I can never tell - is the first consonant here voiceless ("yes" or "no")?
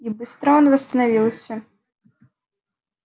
no